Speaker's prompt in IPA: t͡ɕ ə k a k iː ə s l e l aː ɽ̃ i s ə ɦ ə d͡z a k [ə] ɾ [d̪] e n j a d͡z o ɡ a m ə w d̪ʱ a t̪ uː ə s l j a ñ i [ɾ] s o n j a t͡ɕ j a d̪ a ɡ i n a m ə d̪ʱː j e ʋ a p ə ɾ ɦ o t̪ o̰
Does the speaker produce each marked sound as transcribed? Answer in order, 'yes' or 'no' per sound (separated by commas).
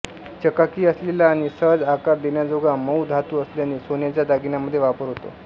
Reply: no, yes, no